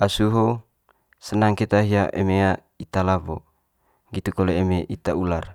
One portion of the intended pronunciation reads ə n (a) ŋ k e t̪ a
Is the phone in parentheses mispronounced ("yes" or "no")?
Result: no